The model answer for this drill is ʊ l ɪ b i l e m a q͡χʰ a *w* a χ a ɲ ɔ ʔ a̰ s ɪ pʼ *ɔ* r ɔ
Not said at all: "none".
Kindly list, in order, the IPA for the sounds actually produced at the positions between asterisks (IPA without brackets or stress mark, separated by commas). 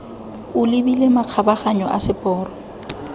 b, ɔː